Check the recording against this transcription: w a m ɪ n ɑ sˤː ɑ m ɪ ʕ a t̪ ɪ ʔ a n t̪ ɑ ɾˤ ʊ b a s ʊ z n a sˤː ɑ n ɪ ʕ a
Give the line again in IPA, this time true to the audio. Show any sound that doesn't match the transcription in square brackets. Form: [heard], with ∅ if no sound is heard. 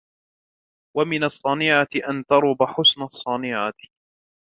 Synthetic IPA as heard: w a m ɪ n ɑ sˤː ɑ [n] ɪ ʕ a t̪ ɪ ʔ a n t̪ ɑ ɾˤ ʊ b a [ħ] ʊ [s] n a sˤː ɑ n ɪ ʕ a